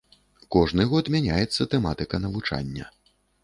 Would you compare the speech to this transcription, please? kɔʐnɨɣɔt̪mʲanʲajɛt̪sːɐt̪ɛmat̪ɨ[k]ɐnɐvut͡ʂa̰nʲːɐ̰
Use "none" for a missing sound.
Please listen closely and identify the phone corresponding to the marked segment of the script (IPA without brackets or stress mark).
k